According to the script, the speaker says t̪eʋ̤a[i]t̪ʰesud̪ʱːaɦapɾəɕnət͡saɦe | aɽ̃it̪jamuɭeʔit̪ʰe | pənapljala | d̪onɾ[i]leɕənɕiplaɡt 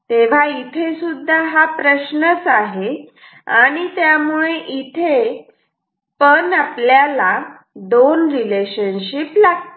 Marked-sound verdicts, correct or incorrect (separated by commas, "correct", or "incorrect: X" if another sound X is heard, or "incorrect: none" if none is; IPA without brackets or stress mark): correct, correct